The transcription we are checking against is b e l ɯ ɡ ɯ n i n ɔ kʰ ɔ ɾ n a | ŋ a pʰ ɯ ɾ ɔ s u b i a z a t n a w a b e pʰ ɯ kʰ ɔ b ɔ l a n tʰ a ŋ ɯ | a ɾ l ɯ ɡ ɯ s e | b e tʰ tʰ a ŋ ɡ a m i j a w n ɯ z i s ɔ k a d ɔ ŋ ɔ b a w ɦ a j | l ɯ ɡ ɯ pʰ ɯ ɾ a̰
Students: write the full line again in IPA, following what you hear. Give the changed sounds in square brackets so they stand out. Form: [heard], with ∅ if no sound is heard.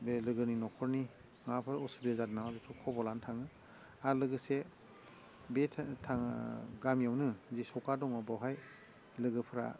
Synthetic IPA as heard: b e l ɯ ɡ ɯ n i n ɔ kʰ ɔ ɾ n [i] | ŋ a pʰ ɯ ɾ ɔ s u b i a z a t n a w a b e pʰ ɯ kʰ ɔ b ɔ l a n tʰ a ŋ ɯ | a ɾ l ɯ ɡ ɯ s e | b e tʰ tʰ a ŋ ɡ a m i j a w n ɯ z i s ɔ k a d ɔ ŋ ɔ b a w ɦ a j | l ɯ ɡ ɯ pʰ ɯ ɾ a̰